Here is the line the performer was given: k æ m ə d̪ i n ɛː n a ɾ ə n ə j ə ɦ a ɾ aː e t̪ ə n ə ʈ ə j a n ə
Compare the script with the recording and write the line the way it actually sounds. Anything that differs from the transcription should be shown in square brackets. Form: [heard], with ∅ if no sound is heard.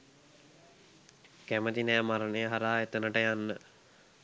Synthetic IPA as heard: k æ m ə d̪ i n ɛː [m] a ɾ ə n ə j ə ɦ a ɾ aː e t̪ ə n ə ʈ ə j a [nː] ə